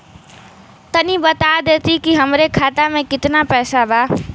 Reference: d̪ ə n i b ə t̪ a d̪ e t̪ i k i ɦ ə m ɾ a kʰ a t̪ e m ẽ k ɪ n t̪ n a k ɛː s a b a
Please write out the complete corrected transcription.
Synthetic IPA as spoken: t̪ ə n i b ə t̪ a d̪ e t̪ i k i ɦ ə m ɾ e kʰ a t̪ a m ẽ k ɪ t̪ n a p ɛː s a b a